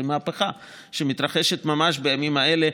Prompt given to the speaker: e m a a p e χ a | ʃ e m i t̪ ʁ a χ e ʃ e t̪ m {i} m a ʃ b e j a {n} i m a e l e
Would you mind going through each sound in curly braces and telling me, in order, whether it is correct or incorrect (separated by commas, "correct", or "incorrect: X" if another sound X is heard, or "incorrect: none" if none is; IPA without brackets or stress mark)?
incorrect: a, incorrect: m